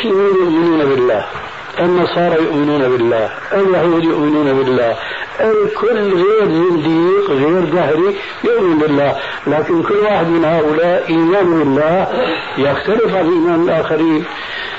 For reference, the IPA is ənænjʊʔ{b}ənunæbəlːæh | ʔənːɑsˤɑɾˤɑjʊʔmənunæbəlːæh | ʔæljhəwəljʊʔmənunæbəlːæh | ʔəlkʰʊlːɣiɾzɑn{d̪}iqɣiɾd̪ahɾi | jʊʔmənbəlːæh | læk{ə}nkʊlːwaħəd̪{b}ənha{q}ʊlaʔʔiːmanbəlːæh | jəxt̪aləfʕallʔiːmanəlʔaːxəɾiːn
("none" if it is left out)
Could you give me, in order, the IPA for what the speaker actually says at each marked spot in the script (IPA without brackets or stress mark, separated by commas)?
m, d̪, ə, m, ʔ